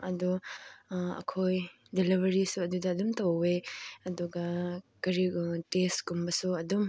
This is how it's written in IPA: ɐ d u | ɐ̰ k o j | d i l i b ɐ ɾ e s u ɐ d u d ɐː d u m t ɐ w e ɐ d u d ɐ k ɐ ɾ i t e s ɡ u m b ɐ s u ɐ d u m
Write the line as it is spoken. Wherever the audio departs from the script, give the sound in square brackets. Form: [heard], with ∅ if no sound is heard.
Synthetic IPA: ɐ d u | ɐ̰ [kʰ] o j | d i l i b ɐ ɾ [i] s u ɐ d u d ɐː d u m t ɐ w e ɐ d u [ɡ] ɐ k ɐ ɾ i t e s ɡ u m b ɐ s u ɐ d u m